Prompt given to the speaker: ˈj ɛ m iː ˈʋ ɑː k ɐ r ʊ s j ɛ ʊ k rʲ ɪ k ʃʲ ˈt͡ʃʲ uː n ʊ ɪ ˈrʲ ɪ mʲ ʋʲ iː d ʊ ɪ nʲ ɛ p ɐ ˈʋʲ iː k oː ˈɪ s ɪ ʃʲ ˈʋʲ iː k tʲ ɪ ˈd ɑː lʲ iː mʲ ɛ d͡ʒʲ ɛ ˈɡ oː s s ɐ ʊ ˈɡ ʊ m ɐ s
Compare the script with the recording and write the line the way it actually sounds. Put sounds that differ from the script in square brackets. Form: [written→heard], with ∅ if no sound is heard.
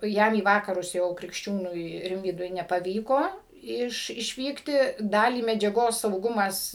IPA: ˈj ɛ m iː ˈʋ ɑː k ɐ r ʊ s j ɛ ʊ k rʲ ɪ k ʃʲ ˈt͡ʃʲ uː n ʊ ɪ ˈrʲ ɪ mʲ ʋʲ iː d ʊ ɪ nʲ ɛ p ɐ ˈʋʲ iː k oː ˈɪ [s→ʃ] ɪ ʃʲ ˈʋʲ iː k tʲ ɪ ˈd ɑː lʲ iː mʲ ɛ d͡ʒʲ ɛ ˈɡ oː s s ɐ ʊ ˈɡ ʊ m ɐ s